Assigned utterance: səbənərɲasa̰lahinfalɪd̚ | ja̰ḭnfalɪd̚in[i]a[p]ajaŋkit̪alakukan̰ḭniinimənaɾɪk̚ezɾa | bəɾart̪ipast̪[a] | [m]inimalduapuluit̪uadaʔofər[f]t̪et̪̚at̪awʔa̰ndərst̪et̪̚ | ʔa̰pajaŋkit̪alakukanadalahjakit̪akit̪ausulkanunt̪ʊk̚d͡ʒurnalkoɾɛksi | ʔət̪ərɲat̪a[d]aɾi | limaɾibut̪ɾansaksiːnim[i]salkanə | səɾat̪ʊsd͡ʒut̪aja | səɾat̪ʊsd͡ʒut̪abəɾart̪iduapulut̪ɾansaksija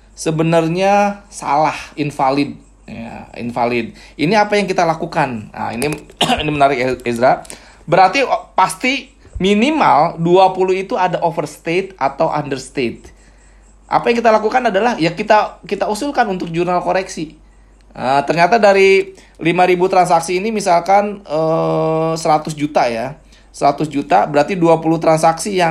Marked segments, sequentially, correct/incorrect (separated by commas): correct, correct, incorrect, correct, incorrect, correct, correct